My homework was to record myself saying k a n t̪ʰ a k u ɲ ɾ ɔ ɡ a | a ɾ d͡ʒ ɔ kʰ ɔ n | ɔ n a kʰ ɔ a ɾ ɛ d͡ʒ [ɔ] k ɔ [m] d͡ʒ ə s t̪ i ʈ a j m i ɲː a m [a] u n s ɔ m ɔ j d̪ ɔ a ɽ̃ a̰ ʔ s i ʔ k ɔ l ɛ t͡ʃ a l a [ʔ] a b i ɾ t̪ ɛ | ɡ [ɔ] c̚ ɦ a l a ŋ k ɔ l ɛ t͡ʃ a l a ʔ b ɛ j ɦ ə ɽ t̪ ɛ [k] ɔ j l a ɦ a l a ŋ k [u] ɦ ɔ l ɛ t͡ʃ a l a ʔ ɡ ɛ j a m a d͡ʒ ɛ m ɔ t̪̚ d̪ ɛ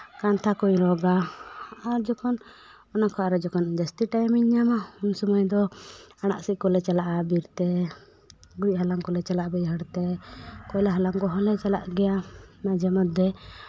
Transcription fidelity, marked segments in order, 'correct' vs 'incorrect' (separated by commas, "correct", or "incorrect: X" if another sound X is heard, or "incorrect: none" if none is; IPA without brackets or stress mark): correct, incorrect: n, correct, correct, incorrect: u, correct, incorrect: ɔ